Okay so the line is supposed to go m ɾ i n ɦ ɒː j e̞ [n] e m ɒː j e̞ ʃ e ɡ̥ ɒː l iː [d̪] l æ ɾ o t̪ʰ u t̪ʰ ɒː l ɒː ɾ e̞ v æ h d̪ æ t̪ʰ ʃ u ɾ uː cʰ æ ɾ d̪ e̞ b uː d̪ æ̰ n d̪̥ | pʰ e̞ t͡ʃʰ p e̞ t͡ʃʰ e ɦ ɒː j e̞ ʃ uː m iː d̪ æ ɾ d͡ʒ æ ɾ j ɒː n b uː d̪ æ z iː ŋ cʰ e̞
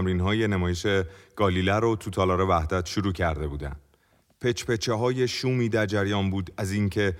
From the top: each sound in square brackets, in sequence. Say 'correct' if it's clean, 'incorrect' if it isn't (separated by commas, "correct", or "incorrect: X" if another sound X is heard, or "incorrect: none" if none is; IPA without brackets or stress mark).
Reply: correct, incorrect: none